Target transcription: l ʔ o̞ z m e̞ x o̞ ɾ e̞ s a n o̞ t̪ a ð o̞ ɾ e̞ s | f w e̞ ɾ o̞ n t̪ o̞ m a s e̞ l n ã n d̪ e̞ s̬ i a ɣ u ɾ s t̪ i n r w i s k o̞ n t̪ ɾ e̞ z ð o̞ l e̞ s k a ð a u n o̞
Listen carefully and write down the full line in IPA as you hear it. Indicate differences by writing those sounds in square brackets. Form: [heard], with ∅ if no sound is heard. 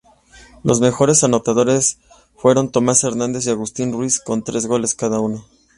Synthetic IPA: l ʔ o̞ z m e̞ x o̞ ɾ e̞ s a n o̞ t̪ a ð o̞ ɾ e̞ s | f w e̞ ɾ o̞ n t̪ o̞ m a s e̞ [ɾ] n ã n d̪ e̞ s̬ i a ɣ u [∅] s t̪ i n r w i s k o̞ n t̪ ɾ e̞ z [ɣ] o̞ l e̞ s k a ð a u n o̞